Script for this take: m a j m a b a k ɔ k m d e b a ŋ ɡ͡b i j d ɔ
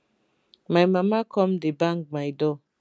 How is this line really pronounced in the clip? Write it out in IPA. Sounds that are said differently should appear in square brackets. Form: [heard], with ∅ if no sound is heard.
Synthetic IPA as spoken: m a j m a [m] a k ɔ [∅] m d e b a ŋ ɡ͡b [a] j d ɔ

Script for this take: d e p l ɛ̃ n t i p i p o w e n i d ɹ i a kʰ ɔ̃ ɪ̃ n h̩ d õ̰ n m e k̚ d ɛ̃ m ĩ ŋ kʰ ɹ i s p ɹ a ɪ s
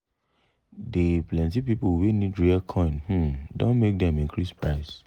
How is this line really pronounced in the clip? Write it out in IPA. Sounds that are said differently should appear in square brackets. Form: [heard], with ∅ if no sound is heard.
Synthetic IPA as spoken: d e p l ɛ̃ n t i p i p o w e n i d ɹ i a kʰ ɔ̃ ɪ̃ n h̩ d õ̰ n m e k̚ d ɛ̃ m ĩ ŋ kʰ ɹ i s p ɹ a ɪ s

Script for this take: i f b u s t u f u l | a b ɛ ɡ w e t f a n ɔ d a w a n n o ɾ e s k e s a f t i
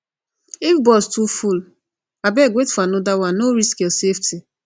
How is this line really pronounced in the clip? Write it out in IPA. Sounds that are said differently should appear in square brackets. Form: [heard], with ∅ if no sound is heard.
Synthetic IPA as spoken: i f b [ɔ] s t u f u l | a b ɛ ɡ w e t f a n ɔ d a w a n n o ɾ [i] s k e s [e] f t i

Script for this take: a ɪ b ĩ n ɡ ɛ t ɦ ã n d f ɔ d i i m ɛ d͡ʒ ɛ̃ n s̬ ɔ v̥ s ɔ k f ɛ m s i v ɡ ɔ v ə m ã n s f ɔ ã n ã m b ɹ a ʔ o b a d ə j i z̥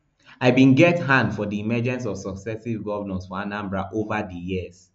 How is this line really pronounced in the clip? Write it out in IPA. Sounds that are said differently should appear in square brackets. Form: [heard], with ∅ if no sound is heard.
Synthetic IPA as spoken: a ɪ b ĩ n ɡ ɛ t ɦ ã n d f ɔ d i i m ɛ d͡ʒ ɛ̃ n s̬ ɔ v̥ s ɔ k [s] ɛ [∅] s i v ɡ ɔ v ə [n] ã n s f ɔ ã n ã m b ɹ a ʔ o [v] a d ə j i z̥

